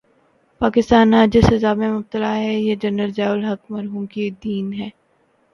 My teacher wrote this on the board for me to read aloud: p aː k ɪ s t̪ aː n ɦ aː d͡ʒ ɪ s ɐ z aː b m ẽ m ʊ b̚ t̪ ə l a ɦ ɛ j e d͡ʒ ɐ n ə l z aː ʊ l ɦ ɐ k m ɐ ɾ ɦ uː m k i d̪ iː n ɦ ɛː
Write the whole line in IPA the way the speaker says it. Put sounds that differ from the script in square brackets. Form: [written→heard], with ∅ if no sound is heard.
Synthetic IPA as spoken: p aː k ɪ s t̪ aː n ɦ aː d͡ʒ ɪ s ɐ z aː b m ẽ m ʊ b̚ t̪ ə l a ɦ ɛ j e d͡ʒ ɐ n ə l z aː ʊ l ɦ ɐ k m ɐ ɾ ɦ uː m k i d̪ iː n ɦ ɛː